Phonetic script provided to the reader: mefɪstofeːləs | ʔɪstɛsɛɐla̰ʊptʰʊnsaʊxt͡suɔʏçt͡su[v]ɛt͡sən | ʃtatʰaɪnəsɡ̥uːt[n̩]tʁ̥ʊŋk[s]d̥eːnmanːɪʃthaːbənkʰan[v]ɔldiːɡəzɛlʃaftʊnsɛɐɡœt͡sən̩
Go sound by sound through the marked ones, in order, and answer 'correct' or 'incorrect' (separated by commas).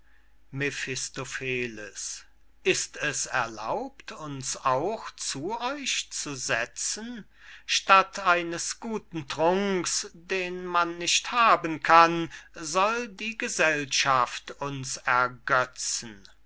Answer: incorrect, correct, correct, incorrect